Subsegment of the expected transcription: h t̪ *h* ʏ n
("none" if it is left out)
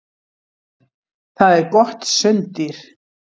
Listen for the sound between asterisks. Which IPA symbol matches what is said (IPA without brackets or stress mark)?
s